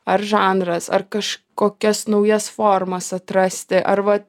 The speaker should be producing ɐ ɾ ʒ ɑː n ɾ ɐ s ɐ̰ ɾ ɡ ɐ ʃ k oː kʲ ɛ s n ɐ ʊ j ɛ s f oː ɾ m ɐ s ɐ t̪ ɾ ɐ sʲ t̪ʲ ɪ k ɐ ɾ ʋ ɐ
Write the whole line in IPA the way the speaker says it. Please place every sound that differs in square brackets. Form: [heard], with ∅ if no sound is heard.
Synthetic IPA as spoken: ɐ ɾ ʒ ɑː n ɾ ɐ s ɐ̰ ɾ [k] ɐ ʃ k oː kʲ ɛ s n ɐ ʊ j ɛ s f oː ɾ m ɐ s ɐ t̪ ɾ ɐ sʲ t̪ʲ ɪ [ʔ] ɐ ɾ ʋ ɐ